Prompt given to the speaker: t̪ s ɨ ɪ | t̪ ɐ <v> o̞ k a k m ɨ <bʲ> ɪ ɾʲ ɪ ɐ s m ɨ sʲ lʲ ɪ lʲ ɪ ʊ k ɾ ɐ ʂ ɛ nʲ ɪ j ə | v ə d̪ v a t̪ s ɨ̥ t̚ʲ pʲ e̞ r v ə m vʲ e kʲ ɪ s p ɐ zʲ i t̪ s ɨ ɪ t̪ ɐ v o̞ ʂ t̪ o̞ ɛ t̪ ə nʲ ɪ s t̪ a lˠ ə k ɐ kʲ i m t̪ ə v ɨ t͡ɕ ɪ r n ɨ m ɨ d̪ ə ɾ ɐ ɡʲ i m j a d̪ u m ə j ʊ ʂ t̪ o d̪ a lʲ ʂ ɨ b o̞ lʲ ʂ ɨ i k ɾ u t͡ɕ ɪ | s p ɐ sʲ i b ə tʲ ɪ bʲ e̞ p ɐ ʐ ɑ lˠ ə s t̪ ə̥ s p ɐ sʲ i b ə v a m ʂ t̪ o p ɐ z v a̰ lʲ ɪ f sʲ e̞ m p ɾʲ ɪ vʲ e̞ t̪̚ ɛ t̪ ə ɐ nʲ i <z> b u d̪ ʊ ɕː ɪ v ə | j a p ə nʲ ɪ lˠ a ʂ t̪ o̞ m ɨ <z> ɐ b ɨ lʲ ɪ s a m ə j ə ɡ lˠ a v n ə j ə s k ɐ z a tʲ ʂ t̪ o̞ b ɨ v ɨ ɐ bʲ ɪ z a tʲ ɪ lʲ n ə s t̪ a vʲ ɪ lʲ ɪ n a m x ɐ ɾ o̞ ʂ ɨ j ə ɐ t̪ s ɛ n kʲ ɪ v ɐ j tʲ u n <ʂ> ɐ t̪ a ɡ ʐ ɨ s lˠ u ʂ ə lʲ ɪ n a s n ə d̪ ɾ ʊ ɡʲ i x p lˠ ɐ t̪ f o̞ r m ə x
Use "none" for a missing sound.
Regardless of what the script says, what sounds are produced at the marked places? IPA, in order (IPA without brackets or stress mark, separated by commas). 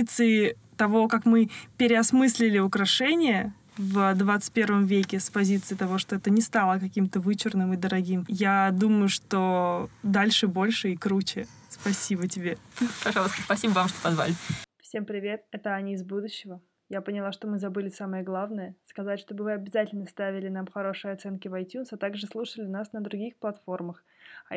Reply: v, pʲ, z, z, s